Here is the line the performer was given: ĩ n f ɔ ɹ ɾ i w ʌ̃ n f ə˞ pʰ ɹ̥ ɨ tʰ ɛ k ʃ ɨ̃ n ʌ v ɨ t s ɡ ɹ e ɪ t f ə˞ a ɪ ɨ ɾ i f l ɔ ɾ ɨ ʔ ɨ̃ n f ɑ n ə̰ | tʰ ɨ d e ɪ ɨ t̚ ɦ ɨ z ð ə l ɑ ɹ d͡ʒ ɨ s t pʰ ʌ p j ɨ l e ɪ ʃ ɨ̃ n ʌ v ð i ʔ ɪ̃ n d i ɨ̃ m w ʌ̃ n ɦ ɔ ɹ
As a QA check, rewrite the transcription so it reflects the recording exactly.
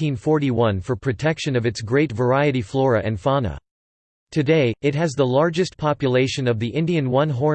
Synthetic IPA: ĩ n f ɔ ɹ ɾ i w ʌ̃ n f ə˞ pʰ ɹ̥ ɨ tʰ ɛ k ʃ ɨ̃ n ʌ v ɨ t s ɡ ɹ e ɪ t v ə˞ a ɪ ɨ ɾ i f l ɔ ɹ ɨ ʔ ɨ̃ n f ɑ n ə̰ | tʰ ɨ d e ɪ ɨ t̚ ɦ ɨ z ð ə l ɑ ɹ d͡ʒ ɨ s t pʰ ɑ p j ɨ l e ɪ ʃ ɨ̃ n ʌ v ð i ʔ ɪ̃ n d i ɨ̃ n w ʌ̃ n ɦ ɔ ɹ